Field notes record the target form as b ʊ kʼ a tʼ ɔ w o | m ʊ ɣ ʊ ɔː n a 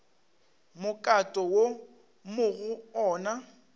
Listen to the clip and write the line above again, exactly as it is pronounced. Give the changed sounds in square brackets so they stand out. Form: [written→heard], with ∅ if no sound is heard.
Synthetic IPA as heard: [b→m] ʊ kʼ a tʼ ɔ w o | m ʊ ɣ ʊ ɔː n a